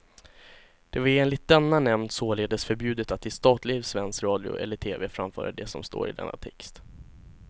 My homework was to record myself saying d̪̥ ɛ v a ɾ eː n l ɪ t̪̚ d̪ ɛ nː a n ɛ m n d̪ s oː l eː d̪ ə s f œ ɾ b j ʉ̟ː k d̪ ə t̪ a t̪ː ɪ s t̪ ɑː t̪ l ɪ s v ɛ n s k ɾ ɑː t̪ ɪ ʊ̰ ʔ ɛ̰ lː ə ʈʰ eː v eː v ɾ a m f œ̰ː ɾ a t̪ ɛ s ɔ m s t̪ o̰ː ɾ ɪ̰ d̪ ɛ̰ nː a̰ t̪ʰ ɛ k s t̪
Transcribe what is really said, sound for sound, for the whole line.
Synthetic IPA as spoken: d̪̥ ɛ v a ɾ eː n l ɪ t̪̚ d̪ ɛ nː a n ɛ m n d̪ s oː l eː d̪ ə s f œ ɾ b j ʉ̟ː d̪ ə t̪ a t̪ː ɪ s t̪ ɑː t̪ l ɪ s v ɛ n s k ɾ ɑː d̪ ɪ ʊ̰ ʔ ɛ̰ lː ə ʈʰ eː v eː f ɾ a m f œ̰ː ɾ a d̪ ɛ s ɔ m s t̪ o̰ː ɾ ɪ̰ d̪ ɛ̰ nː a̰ t̪ʰ ɛ k s t̪